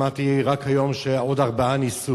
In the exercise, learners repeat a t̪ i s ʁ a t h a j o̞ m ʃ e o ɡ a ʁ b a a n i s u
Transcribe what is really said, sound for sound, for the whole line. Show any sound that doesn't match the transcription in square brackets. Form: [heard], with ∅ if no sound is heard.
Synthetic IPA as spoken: a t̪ i [∅] ʁ a [k] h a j o̞ m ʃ e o [d] a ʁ b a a n i s u